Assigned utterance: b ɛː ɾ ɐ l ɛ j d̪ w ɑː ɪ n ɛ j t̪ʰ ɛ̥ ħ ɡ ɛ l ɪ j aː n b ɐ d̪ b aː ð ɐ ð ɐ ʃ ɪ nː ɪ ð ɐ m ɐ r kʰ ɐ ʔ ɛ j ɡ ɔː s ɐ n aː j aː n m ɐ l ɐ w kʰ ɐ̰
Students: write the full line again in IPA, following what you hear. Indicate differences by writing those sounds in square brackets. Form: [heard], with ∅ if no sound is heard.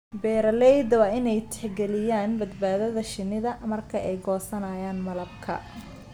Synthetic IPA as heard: b ɛː ɾ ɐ l ɛ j d̪ w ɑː ɪ n ɛ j t̪ʰ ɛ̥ ħ ɡ ɛ l ɪ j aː n b ɐ d̪ b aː ð ɐ ð ɐ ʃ ɪ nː ɪ ð ɐ m ɐ r kʰ ɐ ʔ ɛ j ɡ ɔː s ɐ n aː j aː n m ɐ l ɐ [b] kʰ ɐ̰